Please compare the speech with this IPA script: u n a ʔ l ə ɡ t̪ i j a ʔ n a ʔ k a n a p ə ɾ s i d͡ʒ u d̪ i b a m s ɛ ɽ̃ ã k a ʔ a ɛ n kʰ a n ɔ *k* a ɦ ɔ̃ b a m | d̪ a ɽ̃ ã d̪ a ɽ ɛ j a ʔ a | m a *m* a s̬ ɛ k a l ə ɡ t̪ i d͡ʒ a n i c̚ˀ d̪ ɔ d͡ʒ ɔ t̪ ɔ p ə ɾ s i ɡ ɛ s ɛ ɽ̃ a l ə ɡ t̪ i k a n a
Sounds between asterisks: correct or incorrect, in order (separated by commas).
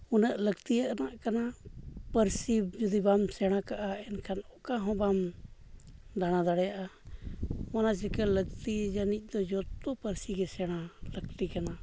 correct, incorrect